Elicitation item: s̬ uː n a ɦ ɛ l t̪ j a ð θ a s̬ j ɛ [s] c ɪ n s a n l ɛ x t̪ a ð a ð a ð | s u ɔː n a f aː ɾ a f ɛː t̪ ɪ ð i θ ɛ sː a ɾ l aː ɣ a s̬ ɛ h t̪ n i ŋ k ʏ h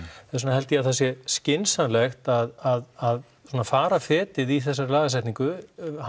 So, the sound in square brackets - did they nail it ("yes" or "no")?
yes